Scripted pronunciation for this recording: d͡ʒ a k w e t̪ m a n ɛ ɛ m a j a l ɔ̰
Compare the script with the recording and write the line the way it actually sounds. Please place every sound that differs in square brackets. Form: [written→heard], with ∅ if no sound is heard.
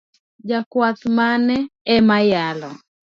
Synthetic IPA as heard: d͡ʒ a k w [e→a] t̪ m a n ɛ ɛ m a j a l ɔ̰